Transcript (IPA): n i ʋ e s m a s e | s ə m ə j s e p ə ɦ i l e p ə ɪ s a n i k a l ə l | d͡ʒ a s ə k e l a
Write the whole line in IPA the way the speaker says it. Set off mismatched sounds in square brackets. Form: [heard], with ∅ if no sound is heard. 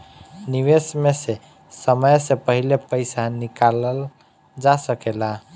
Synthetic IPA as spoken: n i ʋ e s m [e] s e | s ə m ə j s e p ə ɦ i l e p ə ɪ s a n i k a l ə l | d͡ʒ a s ə k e l a